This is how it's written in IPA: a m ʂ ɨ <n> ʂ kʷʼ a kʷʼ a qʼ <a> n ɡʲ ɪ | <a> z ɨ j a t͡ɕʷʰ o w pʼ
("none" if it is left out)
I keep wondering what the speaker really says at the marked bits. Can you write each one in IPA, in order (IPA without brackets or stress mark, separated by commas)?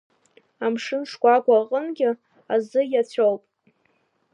n, ə, a